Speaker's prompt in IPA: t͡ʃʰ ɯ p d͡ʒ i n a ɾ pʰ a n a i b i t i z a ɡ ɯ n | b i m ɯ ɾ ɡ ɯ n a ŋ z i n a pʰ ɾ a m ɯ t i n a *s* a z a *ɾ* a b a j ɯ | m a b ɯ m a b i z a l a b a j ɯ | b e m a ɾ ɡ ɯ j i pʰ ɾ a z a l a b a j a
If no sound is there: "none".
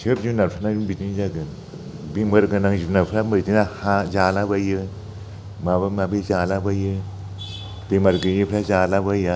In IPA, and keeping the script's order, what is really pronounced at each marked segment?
h, l

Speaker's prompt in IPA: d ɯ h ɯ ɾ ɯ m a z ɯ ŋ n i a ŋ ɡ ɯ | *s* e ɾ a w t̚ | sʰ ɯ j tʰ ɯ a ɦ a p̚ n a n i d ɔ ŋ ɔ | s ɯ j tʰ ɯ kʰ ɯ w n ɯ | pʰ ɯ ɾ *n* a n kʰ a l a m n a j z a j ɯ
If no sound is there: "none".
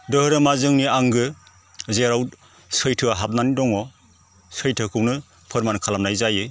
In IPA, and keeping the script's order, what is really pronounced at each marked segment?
z, m

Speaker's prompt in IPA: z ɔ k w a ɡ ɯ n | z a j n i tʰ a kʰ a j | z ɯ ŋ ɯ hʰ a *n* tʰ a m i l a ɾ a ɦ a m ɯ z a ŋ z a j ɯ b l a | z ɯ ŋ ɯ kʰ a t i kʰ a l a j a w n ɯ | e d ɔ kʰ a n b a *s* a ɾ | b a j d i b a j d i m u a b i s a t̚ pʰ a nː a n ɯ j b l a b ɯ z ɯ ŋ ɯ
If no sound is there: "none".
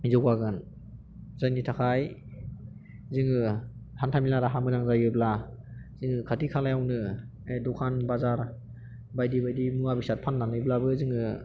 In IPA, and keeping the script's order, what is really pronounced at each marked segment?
n, z

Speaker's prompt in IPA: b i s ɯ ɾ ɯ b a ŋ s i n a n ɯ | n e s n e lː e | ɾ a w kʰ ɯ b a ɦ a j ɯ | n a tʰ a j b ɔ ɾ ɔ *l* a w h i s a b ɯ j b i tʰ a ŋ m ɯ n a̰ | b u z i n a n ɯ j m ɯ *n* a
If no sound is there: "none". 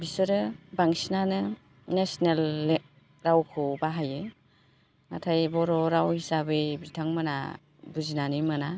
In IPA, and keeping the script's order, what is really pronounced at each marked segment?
ɾ, n

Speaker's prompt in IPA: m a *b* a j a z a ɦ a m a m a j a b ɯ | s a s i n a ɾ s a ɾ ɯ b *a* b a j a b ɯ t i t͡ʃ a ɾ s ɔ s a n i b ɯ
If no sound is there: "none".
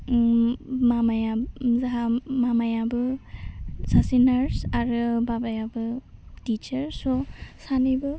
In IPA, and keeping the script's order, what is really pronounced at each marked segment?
m, a

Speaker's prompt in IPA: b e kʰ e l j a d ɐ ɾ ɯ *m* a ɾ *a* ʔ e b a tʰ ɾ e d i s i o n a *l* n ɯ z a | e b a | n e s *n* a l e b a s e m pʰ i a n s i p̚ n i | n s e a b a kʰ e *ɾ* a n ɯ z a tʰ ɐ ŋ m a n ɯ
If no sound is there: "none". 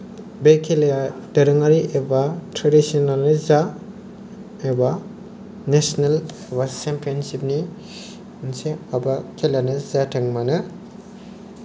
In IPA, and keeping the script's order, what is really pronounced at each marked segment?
ŋ, i, l, n, l

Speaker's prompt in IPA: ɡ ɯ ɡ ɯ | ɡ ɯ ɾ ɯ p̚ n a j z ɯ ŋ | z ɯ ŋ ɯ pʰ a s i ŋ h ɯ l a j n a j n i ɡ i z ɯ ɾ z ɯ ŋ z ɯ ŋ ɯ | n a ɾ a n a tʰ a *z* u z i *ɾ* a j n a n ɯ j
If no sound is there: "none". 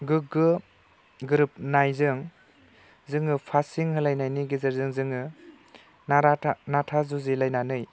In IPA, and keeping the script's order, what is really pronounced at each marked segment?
z, l

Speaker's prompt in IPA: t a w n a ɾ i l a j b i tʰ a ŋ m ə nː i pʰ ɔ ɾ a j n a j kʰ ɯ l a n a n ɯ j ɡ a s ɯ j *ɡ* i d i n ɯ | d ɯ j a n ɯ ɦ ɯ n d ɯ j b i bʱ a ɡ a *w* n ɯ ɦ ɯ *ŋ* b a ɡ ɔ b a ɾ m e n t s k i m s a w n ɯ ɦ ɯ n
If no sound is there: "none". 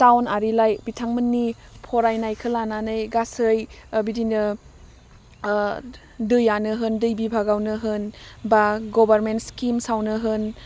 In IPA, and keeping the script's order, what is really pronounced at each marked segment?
b, w, n

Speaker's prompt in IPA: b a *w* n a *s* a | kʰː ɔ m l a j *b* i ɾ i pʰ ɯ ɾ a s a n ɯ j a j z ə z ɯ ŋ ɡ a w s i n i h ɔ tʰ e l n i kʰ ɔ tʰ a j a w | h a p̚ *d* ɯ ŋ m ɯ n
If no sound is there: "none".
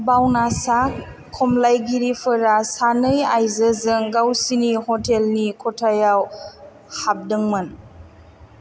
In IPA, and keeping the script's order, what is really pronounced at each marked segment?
w, s, ɡ, d

